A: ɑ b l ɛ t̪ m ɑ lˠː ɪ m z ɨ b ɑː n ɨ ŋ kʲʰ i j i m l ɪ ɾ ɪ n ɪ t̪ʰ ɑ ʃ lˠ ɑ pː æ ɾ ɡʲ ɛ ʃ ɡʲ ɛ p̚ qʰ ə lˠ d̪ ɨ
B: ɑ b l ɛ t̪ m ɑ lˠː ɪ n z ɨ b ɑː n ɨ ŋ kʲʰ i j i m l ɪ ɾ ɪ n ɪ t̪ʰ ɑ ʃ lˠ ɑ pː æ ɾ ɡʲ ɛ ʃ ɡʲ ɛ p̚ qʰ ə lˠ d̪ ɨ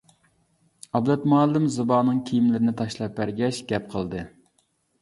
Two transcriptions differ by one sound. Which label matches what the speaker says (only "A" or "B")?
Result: A